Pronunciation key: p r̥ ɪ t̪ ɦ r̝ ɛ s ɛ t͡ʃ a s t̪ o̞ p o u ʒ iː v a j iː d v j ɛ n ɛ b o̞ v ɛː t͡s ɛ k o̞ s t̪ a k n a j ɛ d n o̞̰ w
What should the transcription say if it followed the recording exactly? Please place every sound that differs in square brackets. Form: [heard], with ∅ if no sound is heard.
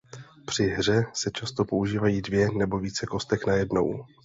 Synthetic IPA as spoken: p r̥ ɪ [∅] ɦ r̝ ɛ s ɛ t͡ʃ a s t̪ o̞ p o u ʒ iː v a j iː d v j ɛ n ɛ b o̞ v [iː] t͡s ɛ k o̞ s t̪ [ɛ] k n a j ɛ d n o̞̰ w